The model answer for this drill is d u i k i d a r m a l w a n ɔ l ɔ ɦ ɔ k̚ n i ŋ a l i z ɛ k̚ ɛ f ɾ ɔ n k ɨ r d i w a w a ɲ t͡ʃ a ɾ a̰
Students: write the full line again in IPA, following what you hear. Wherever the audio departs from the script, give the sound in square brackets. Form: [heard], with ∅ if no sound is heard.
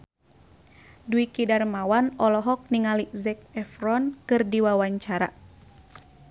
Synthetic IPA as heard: d u i k i d a r m a [∅] w a n ɔ l ɔ ɦ ɔ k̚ n i ŋ a l i z ɛ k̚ ɛ f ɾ ɔ n k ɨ r d i w a w a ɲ t͡ʃ a ɾ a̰